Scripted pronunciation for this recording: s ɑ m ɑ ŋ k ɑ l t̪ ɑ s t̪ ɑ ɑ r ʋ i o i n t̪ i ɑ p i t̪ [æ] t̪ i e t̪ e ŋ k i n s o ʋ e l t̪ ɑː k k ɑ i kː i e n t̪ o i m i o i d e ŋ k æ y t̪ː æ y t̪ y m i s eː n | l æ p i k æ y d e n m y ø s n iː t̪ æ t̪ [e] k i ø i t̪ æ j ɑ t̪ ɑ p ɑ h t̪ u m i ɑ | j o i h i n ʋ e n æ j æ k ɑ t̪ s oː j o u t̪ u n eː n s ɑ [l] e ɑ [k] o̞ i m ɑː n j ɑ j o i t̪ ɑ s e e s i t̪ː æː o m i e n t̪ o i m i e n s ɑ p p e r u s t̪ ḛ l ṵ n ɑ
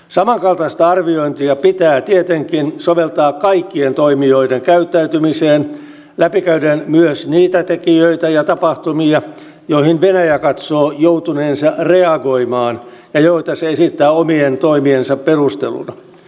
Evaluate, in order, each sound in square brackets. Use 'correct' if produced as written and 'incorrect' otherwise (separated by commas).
incorrect, correct, incorrect, incorrect